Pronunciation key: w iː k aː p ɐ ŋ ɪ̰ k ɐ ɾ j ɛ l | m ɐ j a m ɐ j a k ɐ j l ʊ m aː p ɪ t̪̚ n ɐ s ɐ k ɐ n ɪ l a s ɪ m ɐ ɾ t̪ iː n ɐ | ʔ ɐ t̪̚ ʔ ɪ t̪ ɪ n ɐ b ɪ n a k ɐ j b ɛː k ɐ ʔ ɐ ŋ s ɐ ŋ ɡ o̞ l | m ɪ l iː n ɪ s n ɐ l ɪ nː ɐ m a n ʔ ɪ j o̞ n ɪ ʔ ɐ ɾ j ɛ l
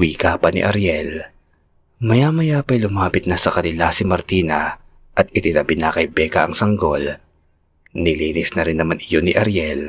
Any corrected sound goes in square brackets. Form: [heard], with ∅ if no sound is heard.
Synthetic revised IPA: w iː k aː p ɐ [n] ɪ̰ [ʔ] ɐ ɾ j ɛ l | m ɐ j a m ɐ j a [p] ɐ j l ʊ m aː p ɪ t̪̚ n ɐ s ɐ k ɐ n ɪ l a s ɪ m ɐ ɾ t̪ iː n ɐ | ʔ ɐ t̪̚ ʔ ɪ t̪ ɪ n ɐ b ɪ n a k ɐ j b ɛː k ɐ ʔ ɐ ŋ s ɐ ŋ ɡ o̞ l | [n] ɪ l iː n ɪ s n ɐ [ɾ] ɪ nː ɐ m a n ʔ ɪ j o̞ n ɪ ʔ ɐ ɾ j ɛ l